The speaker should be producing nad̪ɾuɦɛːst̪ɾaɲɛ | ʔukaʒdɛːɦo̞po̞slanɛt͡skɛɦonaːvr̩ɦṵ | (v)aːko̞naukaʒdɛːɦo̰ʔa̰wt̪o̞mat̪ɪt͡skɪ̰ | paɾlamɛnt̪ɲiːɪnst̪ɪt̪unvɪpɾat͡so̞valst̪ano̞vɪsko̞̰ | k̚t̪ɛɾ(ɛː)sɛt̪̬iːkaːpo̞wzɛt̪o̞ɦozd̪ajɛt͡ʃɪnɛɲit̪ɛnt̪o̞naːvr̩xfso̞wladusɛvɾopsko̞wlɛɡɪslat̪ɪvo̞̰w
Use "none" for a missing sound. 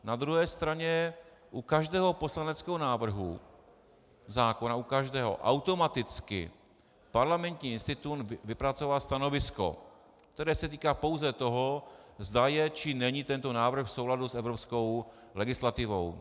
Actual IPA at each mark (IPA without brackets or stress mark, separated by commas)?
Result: z, ɛː